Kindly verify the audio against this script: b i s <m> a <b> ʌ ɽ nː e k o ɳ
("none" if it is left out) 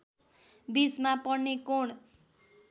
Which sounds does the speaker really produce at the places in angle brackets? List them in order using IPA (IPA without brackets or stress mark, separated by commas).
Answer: m, p